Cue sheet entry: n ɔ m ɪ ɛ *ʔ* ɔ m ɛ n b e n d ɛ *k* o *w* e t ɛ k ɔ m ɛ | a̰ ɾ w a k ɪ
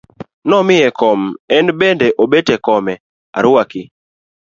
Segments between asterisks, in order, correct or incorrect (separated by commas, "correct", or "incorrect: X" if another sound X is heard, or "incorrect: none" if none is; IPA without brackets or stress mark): incorrect: k, incorrect: ʔ, incorrect: b